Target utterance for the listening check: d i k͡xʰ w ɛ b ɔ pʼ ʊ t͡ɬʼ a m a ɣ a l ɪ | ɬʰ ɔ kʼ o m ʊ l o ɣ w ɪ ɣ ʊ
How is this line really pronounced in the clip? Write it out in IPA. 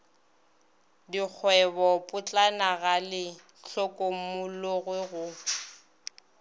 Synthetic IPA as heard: d i k͡xʰ w ɛ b ɔ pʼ ʊ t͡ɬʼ a n a ɣ a l ɪ | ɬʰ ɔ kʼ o m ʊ l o ɣ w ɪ ɣ ʊ

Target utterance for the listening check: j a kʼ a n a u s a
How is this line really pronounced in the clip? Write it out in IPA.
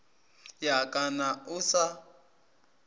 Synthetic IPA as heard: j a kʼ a n a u s a

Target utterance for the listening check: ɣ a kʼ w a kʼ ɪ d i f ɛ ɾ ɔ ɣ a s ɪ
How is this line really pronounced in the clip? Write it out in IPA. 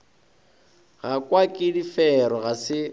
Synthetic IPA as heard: ɣ a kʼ w a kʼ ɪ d i f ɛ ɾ ɔ ɣ a s ɪ

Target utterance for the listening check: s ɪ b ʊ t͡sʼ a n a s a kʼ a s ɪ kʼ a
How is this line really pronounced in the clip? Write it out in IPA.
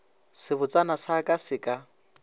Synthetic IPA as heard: s ɪ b ʊ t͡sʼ a n a s a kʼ a s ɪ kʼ a

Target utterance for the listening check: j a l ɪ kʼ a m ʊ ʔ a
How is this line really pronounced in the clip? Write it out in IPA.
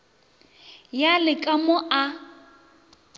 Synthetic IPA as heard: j a l ɪ kʼ a m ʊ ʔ a

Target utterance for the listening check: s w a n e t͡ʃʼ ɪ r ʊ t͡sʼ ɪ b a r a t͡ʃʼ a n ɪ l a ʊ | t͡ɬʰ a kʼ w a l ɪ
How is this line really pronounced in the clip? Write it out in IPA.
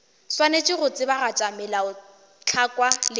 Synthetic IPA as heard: s w a n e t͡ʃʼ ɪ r ʊ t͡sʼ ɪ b a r a t͡ʃʼ a m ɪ l a ʊ | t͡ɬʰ a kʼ w a l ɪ

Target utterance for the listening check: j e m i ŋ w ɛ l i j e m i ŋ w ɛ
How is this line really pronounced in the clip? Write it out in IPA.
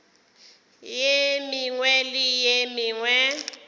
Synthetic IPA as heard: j e m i ŋ w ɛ l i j e m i ŋ w ɛ

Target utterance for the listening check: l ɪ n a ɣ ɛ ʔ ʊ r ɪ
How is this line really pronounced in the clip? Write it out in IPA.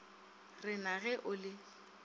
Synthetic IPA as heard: r ɪ n a ɣ ɛ ʔ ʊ l ɪ

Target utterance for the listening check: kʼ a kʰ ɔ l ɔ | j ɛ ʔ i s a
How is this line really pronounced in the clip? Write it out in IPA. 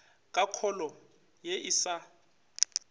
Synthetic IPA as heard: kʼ a kʰ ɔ l ɔ | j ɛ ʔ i s a

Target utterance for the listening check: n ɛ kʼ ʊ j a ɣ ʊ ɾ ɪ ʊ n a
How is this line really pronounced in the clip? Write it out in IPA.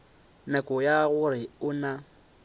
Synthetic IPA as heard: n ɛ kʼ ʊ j a ɣ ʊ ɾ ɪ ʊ n a

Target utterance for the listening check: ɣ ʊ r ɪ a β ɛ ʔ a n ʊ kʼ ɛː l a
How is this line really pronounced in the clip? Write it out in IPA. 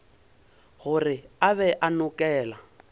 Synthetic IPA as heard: ɣ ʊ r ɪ a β ɛ ʔ a n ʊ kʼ ɛː l a

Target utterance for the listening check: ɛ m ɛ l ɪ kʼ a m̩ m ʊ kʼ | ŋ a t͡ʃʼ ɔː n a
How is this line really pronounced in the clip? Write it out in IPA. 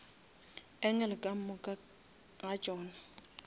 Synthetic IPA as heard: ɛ ŋ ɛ l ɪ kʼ a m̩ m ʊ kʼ | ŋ a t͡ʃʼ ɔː n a

